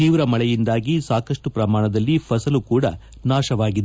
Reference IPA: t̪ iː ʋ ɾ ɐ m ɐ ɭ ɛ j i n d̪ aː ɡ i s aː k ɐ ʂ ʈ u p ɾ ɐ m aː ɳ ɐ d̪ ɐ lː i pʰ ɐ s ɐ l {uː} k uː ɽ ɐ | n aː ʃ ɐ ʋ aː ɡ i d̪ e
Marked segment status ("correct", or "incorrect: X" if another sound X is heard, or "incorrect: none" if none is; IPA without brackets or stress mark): incorrect: u